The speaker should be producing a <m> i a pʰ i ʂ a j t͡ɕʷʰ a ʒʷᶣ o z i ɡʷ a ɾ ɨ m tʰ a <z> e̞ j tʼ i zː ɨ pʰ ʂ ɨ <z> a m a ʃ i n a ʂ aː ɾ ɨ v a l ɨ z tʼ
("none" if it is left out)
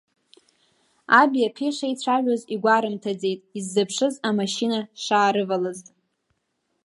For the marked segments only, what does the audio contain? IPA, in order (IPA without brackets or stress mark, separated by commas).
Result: b, d͡z, z